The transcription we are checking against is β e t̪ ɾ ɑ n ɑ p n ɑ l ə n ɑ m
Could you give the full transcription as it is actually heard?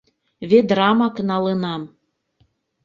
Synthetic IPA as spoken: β e d̪ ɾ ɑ m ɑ k n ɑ l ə n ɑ m